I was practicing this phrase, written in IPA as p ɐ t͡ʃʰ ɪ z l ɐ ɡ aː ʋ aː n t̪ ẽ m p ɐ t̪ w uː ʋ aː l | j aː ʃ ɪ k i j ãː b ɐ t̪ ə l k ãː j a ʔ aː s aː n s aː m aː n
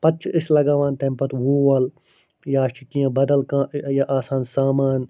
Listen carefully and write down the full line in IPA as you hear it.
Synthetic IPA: p ɐ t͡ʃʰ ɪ s l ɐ ɡ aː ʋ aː n t̪ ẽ m p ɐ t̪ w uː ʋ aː l | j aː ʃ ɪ k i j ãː b ɐ d̪ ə l k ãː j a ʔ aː s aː n s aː m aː n